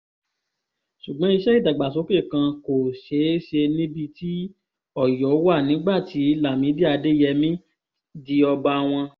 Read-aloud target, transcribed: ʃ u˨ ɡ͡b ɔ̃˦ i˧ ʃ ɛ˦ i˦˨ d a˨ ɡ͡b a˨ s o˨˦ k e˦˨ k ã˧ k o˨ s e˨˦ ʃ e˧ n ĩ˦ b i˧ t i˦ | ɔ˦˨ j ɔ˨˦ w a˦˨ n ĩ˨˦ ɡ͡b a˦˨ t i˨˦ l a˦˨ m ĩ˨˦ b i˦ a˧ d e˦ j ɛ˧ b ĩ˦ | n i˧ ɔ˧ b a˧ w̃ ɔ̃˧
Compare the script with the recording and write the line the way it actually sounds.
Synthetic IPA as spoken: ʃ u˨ ɡ͡b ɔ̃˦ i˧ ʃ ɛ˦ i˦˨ d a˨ ɡ͡b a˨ s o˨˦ k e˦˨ k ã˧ k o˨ ʃ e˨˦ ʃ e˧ n ĩ˦ b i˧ t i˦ | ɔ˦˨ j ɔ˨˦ w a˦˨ n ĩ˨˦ ɡ͡b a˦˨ t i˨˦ l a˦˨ m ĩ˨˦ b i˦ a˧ d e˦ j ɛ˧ m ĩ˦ | d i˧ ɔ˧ b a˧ w̃ ɔ̃˧